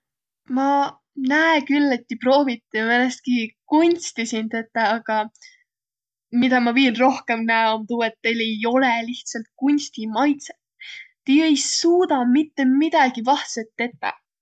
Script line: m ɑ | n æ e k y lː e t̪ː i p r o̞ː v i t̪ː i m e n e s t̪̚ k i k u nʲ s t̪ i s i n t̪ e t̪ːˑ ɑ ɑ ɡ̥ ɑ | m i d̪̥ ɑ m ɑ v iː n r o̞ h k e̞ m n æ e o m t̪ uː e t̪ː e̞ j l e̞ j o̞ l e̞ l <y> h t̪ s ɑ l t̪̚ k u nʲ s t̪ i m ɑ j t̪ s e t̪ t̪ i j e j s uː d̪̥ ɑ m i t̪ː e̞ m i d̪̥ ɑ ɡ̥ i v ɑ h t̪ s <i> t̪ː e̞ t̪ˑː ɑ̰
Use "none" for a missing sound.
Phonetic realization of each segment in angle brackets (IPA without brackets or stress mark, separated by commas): i, e